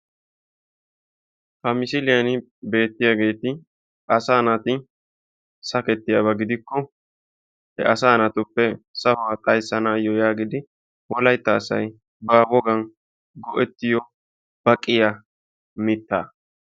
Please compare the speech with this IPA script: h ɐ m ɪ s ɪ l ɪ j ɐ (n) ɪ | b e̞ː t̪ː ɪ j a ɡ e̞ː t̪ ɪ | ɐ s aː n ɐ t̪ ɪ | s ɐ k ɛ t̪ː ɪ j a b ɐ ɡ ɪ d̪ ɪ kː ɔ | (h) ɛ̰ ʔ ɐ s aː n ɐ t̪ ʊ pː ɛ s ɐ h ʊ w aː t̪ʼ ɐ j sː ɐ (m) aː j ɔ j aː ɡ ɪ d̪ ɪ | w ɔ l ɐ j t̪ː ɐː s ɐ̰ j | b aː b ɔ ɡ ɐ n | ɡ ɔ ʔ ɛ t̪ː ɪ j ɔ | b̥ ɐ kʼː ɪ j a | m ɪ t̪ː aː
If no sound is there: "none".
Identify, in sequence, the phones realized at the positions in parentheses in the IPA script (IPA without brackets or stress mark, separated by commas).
n, h, n